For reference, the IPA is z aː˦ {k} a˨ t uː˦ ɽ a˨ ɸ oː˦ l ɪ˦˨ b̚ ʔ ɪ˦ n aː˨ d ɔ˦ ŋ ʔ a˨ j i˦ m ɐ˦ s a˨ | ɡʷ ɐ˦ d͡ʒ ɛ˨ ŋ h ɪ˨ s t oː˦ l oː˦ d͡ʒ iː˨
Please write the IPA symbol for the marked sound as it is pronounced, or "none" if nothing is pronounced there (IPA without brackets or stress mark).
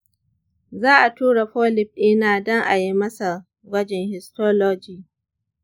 ʔ